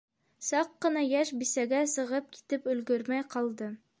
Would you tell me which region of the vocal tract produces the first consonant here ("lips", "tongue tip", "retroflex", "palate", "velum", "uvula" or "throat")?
tongue tip